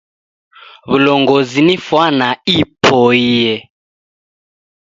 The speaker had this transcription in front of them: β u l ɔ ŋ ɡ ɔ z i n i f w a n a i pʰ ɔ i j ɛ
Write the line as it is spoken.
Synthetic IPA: β u l ɔ ŋ ɡ ɔ z i n i f w a n a i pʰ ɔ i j ɛ